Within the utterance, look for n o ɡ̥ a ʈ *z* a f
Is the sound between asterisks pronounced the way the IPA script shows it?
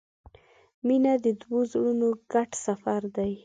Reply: no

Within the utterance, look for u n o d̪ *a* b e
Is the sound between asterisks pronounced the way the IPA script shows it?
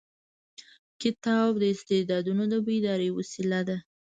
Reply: no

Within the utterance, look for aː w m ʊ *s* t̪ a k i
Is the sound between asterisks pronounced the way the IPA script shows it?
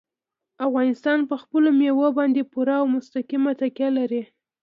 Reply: yes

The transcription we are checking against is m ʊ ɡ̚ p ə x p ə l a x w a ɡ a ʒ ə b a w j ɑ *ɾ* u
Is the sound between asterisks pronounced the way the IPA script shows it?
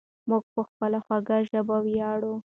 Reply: no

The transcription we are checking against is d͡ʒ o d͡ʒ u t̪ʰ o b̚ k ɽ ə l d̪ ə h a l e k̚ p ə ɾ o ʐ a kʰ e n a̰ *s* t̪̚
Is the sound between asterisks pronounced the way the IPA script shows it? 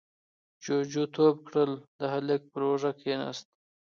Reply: yes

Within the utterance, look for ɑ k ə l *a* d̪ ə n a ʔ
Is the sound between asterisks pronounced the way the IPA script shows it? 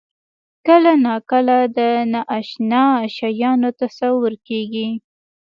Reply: yes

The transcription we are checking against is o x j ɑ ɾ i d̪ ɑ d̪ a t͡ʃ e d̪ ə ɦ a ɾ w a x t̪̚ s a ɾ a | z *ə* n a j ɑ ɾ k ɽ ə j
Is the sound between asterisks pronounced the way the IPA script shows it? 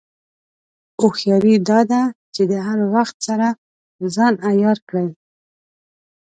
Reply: no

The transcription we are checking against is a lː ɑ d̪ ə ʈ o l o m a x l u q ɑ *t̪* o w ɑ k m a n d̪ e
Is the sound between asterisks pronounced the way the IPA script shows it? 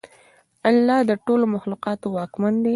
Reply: yes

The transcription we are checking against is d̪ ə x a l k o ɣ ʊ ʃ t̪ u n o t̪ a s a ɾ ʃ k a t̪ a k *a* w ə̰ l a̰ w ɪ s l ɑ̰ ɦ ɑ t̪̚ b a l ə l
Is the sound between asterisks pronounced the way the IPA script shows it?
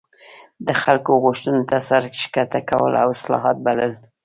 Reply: yes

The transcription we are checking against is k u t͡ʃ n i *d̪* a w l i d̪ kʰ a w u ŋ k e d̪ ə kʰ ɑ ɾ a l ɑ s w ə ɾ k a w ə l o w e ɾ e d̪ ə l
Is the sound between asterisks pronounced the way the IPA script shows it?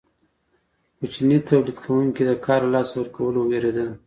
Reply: no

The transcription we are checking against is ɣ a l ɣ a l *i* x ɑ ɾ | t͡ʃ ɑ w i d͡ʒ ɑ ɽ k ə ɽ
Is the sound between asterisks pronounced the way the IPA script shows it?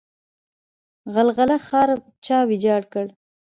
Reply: no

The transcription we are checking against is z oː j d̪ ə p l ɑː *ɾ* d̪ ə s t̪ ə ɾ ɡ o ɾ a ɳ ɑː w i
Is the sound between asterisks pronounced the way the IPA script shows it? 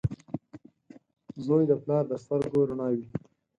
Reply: yes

